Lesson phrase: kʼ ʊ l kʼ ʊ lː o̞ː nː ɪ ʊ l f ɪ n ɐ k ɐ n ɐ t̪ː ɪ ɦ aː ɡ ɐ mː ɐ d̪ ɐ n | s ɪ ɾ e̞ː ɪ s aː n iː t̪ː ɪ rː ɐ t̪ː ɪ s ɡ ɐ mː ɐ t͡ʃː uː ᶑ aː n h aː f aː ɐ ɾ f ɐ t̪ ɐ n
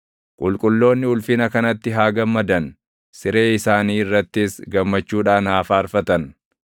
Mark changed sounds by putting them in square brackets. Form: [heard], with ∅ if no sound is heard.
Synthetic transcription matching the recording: kʼ ʊ l kʼ ʊ lː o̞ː nː ɪ ʊ l f ɪ n ɐ k ɐ n ɐ t̪ː ɪ ɦ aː ɡ ɐ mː ɐ d̪ ɐ n | s ɪ ɾ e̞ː ɪ s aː n iː [∅] ɪ rː ɐ t̪ː ɪ s ɡ ɐ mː ɐ t͡ʃː uː ᶑ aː n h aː f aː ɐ ɾ f ɐ t̪ ɐ n